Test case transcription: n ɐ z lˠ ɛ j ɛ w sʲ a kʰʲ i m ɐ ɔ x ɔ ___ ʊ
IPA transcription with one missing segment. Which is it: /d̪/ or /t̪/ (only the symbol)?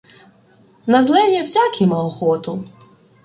t̪